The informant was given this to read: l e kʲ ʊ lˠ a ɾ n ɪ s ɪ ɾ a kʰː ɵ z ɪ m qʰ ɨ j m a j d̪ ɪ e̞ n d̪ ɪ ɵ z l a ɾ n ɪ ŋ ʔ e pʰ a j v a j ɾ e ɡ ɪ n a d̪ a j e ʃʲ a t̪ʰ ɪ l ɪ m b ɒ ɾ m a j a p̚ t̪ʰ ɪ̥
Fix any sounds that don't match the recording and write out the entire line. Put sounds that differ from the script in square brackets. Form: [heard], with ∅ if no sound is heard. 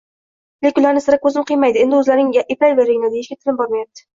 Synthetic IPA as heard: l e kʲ ʊ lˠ a ɾ n ɪ s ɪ ɾ a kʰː ɵ z ɪ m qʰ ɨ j m a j d̪ ɪ e̞ n d̪ ɪ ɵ z l a ɾ n ɪ ŋ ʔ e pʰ a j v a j ɾ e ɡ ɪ n a d̪ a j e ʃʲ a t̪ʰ ɪ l ɪ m b ɒ ɾ m a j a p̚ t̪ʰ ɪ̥